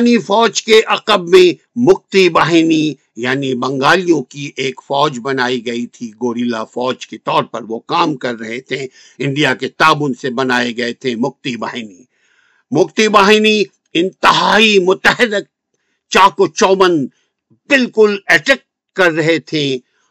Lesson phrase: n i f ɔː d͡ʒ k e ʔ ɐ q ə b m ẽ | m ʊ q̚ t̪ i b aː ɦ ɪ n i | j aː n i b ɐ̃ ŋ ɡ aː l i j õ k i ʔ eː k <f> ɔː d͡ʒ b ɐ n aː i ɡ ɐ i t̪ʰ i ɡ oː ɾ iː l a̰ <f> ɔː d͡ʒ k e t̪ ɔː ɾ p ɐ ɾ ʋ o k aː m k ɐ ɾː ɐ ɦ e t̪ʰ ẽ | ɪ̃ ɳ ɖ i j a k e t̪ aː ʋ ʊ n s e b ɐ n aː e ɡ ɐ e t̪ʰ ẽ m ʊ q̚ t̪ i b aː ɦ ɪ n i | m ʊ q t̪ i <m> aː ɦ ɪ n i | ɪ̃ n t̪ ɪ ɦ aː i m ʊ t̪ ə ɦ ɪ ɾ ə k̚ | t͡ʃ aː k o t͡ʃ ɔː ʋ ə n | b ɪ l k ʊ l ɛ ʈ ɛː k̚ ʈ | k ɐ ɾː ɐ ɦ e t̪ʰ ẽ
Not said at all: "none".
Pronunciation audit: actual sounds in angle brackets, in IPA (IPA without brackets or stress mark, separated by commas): f, f, b